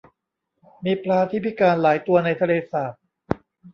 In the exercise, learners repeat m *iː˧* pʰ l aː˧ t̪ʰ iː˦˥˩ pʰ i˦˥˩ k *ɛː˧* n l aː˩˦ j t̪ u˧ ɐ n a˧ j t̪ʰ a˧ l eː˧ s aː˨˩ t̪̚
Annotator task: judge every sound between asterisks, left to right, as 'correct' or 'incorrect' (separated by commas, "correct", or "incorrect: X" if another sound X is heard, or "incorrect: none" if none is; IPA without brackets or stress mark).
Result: correct, incorrect: aː˧